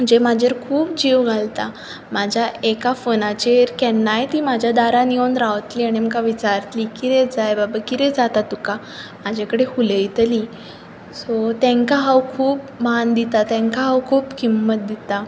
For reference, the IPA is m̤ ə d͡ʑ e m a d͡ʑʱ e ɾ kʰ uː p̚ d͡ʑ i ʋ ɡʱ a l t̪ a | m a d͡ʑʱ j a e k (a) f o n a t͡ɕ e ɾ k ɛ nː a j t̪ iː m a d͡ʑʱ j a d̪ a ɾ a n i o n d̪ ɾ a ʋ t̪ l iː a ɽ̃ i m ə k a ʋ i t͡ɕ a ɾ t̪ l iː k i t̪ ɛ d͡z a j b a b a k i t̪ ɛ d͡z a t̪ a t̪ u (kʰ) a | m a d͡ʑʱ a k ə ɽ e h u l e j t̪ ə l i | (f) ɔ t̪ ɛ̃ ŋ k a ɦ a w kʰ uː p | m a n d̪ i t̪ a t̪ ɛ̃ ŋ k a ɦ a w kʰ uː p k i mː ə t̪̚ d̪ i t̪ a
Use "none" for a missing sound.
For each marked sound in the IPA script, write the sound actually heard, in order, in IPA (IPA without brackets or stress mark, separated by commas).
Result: a, k, s